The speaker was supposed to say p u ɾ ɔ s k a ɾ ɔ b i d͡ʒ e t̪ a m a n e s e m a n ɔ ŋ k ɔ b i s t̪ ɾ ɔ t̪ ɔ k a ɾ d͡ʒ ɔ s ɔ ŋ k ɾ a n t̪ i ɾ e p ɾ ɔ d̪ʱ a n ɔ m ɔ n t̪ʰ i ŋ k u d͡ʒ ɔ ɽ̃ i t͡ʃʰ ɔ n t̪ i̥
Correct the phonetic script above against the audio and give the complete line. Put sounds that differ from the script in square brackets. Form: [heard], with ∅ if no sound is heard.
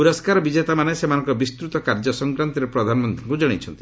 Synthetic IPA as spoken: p u ɾ ɔ s k a ɾ ɔ b i d͡ʒ e t̪ a m a n e s e m a n ɔ ŋ k ɔ b i s t̪ ɾ [u] t̪ ɔ k a ɾ d͡ʒ ɔ s ɔ ŋ k ɾ a n t̪ i ɾ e p ɾ ɔ d̪ʱ a n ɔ m ɔ n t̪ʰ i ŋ k u d͡ʒ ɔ ɽ̃ i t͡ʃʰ ɔ n t̪ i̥